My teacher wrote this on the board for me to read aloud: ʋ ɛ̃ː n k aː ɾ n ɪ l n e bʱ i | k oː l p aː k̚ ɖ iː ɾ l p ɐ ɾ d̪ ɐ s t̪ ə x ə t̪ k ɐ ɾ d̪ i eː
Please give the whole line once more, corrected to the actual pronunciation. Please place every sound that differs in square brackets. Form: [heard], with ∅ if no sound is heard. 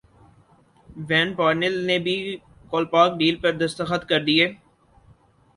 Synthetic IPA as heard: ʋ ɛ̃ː n [p] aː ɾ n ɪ l n e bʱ i | k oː l p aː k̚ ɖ iː [∅] l p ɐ ɾ d̪ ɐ s t̪ ə x ə t̪ k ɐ ɾ d̪ i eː